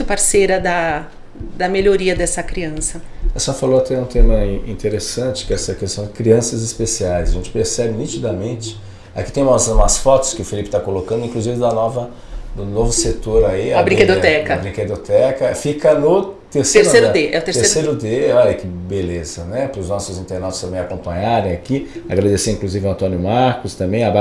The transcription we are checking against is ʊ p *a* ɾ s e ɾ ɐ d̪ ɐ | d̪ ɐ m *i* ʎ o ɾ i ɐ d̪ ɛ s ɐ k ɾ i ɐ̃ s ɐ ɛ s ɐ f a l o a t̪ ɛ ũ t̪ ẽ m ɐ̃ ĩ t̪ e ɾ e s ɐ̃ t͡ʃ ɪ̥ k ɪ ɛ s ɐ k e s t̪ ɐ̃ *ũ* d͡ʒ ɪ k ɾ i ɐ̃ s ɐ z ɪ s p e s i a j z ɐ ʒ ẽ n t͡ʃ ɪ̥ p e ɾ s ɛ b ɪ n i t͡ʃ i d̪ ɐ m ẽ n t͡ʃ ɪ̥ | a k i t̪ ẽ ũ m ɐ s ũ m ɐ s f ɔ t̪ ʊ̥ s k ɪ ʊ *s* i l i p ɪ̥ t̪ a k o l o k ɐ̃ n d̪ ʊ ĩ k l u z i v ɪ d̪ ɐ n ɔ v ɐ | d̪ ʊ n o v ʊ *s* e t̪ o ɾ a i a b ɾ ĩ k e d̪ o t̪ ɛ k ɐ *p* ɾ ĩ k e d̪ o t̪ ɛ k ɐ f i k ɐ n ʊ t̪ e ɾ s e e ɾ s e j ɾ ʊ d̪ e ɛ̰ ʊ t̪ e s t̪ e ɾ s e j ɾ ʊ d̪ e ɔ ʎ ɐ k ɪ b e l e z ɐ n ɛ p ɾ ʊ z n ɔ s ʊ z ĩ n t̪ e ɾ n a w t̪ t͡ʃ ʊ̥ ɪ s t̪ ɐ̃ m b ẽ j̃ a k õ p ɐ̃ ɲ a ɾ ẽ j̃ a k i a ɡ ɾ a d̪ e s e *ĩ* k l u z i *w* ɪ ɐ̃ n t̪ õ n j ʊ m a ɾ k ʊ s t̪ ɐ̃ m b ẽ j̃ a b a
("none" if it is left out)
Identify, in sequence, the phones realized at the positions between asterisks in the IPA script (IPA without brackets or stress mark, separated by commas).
a, e, w̃, f, s, b, ĩ, v